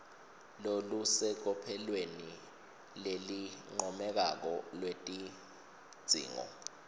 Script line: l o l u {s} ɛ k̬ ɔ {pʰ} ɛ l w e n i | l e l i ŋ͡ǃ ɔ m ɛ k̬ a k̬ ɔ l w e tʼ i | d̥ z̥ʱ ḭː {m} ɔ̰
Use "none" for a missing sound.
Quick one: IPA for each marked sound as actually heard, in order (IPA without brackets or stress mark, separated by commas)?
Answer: s, pʰ, ŋ